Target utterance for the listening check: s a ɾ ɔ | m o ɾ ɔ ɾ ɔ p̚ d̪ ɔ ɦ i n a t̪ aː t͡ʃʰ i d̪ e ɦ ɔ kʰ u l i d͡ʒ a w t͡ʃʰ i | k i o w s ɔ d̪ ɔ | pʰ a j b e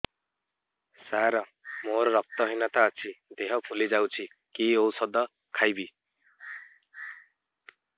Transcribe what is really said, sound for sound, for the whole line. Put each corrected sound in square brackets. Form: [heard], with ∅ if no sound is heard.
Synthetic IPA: s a ɾ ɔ | m o ɾ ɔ ɾ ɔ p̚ [t̪] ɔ ɦ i n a t̪ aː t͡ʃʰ i d̪ e ɦ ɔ [pʰ] u l i d͡ʒ a w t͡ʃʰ i | k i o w s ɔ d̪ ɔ | [kʰ] a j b [i]